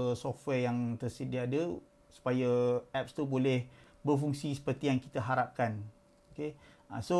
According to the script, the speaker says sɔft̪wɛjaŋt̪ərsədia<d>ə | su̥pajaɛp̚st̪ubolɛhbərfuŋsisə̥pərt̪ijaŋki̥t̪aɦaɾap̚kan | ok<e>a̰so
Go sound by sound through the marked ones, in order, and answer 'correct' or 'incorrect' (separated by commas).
correct, correct